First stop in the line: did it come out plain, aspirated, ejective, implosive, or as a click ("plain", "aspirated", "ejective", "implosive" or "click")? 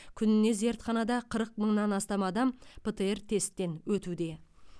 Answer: aspirated